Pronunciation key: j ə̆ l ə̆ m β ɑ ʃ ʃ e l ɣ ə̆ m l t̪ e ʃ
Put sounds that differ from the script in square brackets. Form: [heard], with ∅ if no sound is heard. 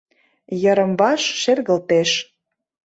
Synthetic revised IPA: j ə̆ [ɾ] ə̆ m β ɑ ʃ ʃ e [r] ɣ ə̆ [∅] l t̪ e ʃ